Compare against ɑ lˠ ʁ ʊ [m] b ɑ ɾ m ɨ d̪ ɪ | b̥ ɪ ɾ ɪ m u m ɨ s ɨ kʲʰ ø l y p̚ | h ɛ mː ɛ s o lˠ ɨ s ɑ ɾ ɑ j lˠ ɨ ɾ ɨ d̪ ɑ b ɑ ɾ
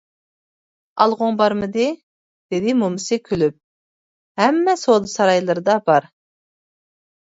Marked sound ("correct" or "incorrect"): incorrect